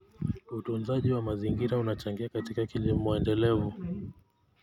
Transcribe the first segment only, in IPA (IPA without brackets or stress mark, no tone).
u